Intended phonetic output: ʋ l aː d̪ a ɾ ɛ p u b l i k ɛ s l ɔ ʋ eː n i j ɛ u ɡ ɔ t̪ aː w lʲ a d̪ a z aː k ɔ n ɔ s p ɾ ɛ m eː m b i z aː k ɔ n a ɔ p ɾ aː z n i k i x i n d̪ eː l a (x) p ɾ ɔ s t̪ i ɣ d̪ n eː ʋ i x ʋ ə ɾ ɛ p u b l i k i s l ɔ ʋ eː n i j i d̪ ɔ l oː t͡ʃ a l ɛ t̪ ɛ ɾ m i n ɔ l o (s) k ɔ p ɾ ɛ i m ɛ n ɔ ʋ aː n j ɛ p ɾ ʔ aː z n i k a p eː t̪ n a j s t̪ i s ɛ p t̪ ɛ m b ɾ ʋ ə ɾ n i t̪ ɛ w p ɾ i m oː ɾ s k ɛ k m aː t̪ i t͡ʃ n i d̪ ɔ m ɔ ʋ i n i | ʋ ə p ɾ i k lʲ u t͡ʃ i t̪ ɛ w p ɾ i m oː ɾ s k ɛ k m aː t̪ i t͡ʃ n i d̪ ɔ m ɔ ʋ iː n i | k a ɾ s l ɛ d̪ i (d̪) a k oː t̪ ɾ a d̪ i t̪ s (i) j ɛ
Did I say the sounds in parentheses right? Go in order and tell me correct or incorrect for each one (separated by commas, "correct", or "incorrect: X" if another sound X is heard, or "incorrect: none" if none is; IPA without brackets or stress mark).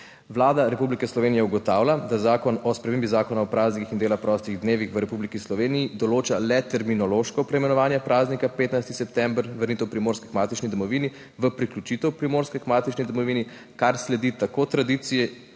correct, incorrect: ʃ, incorrect: t̪, correct